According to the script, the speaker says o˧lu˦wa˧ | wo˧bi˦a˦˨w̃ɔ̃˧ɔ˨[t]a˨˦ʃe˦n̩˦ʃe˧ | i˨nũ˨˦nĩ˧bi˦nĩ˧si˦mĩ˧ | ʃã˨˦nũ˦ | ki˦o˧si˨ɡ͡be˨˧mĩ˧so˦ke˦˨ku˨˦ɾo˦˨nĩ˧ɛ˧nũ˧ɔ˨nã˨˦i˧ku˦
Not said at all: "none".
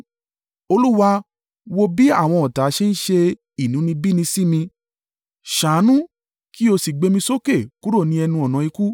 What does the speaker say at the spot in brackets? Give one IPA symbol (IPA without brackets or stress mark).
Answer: t